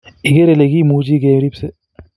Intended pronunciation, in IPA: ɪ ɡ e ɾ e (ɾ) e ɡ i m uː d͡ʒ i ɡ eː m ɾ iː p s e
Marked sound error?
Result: yes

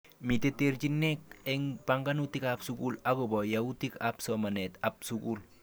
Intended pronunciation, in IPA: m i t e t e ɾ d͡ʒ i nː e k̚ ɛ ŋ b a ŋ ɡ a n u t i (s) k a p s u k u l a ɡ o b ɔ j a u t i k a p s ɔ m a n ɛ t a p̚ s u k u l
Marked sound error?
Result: yes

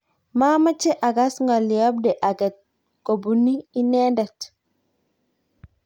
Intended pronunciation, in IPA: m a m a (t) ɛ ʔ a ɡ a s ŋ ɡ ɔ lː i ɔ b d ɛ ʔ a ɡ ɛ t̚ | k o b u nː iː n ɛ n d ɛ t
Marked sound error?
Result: yes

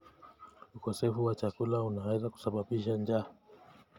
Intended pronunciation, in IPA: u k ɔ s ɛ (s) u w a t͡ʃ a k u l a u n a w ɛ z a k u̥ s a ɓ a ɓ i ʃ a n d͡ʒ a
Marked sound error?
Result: yes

